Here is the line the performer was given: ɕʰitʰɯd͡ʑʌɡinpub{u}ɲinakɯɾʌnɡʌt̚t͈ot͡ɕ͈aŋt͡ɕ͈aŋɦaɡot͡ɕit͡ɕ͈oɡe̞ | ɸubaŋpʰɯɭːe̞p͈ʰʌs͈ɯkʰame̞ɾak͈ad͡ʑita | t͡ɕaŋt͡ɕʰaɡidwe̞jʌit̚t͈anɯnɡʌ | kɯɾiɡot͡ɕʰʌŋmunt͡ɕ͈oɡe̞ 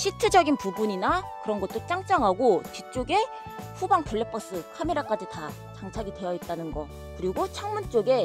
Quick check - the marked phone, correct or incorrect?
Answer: correct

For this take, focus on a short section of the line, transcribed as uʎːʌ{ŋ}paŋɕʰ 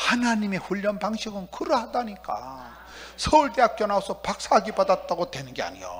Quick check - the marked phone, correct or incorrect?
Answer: incorrect: n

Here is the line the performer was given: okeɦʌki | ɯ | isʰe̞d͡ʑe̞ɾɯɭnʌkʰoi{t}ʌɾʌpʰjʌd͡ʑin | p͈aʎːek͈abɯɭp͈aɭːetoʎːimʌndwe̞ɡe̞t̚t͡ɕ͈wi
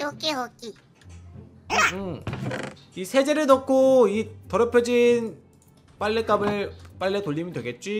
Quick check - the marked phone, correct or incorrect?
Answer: correct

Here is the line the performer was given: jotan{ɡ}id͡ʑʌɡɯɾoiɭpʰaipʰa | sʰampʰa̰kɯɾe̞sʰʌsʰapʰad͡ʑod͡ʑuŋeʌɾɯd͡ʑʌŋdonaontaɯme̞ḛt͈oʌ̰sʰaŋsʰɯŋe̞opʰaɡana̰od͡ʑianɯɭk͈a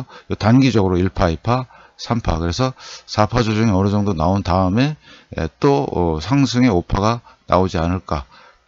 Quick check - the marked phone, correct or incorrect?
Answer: correct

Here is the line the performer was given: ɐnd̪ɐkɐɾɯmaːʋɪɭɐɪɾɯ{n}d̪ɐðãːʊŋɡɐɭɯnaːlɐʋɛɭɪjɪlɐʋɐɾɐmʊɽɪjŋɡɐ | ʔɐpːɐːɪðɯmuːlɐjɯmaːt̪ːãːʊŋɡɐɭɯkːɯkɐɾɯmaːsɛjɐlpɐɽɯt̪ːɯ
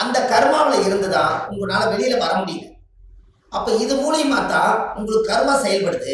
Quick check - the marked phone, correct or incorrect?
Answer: correct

